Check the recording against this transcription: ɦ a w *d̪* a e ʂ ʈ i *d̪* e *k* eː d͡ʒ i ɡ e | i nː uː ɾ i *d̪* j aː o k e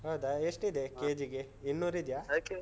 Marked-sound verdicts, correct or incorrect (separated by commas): correct, correct, correct, correct